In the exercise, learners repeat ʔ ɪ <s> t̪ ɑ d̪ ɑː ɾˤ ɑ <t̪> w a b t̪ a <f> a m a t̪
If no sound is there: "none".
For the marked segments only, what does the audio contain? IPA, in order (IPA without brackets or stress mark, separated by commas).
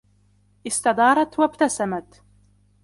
s, t̪, s